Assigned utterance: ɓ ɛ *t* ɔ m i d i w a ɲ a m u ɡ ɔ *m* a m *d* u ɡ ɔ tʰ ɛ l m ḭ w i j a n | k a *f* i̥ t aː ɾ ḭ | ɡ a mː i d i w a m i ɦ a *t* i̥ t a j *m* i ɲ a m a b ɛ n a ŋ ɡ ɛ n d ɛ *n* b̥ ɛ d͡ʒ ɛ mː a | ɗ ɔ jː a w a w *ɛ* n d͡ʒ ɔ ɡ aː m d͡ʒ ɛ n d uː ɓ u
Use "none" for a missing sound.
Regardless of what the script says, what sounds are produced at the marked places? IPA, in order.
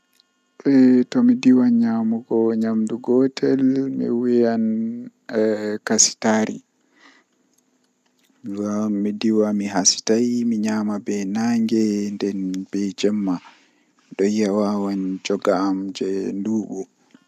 t, ɲ, d, s, s, m, n, a

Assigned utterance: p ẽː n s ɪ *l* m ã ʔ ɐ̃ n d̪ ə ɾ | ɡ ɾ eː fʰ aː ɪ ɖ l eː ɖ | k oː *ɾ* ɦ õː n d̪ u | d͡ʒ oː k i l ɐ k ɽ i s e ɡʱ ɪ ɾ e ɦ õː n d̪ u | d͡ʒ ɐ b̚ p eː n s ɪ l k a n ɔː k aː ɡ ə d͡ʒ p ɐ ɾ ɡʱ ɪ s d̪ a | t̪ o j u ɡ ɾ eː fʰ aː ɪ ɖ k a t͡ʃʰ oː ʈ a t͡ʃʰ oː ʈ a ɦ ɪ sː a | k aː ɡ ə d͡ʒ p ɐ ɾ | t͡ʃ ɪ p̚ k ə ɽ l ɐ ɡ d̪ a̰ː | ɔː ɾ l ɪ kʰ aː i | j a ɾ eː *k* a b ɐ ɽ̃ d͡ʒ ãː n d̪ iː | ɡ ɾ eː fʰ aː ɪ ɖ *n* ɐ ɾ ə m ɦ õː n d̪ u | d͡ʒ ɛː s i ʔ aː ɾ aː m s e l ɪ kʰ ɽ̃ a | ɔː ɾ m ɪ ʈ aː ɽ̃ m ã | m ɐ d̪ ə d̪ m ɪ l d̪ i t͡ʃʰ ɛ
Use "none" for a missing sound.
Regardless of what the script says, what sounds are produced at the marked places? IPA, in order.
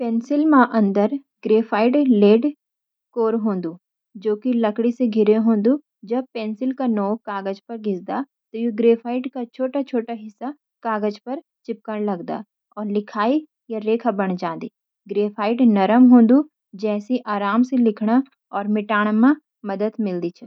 l, ɾ, kʰ, n

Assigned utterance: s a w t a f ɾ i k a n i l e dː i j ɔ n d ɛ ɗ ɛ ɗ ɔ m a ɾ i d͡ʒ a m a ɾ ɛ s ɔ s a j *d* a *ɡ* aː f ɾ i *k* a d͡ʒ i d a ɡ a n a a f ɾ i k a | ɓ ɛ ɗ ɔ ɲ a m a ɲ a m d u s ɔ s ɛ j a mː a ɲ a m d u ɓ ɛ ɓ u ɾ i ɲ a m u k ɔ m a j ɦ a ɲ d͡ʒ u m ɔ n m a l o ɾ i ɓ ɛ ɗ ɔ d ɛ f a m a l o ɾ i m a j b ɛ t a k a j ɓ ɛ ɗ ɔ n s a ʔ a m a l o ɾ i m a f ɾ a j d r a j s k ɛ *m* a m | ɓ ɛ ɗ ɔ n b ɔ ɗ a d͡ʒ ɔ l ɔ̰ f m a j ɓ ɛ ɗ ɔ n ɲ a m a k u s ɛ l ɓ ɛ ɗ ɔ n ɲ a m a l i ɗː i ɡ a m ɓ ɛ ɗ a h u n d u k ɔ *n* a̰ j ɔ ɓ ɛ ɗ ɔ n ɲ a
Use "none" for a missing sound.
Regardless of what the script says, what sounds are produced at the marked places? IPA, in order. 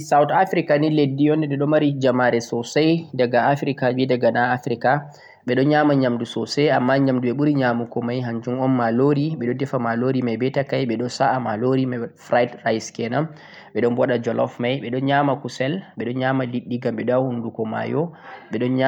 d, ɡ, k, n, m

